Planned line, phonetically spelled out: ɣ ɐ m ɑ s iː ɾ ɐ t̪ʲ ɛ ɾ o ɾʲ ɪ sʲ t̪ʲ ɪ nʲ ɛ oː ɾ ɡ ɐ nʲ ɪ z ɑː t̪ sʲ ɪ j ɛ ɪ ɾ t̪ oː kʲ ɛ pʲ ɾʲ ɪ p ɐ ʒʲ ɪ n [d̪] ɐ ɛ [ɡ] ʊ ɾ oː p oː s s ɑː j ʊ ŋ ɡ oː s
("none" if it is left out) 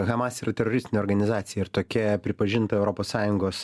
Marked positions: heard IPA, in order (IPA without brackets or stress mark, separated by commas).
t̪, none